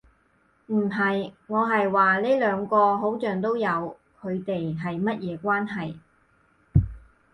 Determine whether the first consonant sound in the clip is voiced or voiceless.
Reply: voiced